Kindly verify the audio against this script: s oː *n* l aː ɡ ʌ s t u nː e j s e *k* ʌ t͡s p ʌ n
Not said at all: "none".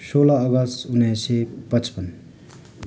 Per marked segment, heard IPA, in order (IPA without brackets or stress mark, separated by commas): none, p